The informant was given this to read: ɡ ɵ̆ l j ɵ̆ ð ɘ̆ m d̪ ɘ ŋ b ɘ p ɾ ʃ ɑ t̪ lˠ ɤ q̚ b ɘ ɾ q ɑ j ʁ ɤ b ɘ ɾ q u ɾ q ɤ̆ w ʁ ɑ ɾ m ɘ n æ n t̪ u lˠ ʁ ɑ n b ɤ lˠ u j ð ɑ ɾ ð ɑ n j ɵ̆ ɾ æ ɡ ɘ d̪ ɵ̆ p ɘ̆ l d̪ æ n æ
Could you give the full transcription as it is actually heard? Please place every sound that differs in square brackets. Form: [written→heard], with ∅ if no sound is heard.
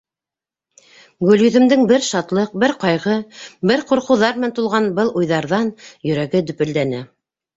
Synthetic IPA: ɡ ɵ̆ l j ɵ̆ ð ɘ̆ m d̪ ɘ ŋ b ɘ [p→∅] ɾ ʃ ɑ t̪ lˠ ɤ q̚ b ɘ ɾ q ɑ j ʁ ɤ b ɘ ɾ q u ɾ q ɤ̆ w [ʁ→ð] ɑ ɾ m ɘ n æ n t̪ u lˠ ʁ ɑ n b ɤ lˠ u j ð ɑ ɾ ð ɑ n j ɵ̆ ɾ æ ɡ ɘ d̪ ɵ̆ p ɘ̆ l d̪ æ n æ